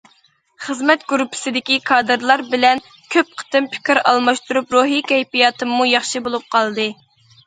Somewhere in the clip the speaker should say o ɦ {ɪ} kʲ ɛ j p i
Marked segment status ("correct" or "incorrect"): incorrect